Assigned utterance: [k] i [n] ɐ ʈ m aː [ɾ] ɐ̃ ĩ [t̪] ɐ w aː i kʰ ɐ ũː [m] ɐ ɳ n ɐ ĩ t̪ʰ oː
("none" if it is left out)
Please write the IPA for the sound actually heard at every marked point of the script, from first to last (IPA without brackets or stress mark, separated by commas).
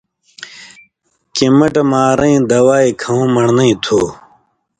k, m, ɾ, d̪, m